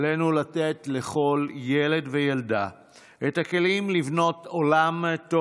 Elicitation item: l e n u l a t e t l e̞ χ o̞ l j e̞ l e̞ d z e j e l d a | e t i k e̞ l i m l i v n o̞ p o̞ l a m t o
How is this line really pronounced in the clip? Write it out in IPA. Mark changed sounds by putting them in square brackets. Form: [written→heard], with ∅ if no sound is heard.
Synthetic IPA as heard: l e n u l a t e t l e̞ χ o̞ l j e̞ l e̞ d [z→v] e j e l d a | e t [i→a] k e̞ l i m l i v n o̞ [p→t] o̞ l a m t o

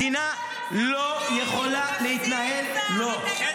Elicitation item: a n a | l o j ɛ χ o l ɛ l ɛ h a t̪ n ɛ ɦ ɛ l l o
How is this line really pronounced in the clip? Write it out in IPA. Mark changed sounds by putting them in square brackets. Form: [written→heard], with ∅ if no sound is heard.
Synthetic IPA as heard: [a→i] n a | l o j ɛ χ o l [ɛ→a] l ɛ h [a→i] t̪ n [ɛ→a] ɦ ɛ l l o

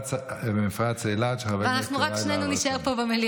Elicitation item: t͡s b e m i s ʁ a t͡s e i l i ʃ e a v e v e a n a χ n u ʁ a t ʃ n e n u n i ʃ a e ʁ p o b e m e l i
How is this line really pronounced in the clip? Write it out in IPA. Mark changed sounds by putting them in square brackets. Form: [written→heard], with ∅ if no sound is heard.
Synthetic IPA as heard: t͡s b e m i [s→f] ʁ a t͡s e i l [i→a] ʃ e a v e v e a n a χ n u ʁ a [t→k] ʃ n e n u n i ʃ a e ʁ p o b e m e l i

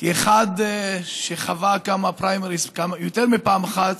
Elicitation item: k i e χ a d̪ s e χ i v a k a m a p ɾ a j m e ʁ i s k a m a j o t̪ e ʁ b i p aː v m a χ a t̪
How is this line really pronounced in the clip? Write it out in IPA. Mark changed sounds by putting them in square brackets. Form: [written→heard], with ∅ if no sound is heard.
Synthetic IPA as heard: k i e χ a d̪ [s→ʃ] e χ [i→a] v a k a m a p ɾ a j m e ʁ i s k a m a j o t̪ e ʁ [b→m] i p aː [v→∅] m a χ a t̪

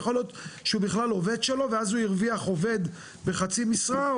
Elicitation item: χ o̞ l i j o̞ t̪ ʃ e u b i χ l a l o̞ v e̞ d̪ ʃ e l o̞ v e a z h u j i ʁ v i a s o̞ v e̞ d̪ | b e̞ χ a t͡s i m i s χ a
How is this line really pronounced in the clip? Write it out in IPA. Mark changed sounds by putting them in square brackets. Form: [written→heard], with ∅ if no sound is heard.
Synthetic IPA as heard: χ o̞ l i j o̞ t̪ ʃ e u b i χ l a l o̞ v e̞ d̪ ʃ e l o̞ v e a z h u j i ʁ v i a [s→χ] o̞ v e̞ d̪ | b e̞ χ a t͡s i m i s [χ→ʁ] a

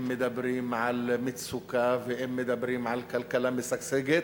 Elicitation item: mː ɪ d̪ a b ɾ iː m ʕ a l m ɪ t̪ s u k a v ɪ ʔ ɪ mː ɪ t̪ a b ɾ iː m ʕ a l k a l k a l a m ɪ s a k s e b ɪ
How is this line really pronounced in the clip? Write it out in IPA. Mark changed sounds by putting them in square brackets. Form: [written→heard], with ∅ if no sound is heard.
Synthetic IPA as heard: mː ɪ d̪ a b ɾ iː m ʕ a l m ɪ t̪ s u k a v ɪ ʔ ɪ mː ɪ [t̪→d̪] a b ɾ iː m ʕ a l k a l k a l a m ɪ s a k s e [b→ɡ] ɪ

